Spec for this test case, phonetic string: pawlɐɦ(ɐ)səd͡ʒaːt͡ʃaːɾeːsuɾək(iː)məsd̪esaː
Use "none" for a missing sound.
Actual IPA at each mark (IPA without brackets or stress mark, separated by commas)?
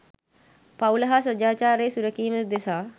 a, iː